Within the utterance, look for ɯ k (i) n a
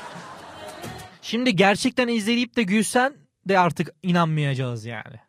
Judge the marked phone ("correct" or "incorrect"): correct